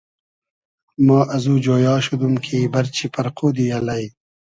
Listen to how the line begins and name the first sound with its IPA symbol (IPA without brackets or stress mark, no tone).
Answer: m